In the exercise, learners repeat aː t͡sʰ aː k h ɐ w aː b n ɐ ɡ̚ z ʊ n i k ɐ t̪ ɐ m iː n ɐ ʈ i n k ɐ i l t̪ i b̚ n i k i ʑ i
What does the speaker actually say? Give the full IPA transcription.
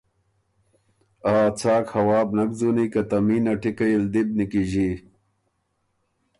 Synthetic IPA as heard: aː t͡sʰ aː k h ɐ w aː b n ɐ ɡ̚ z u n i k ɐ t̪ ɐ m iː n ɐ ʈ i k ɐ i l d̪ i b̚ n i k i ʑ i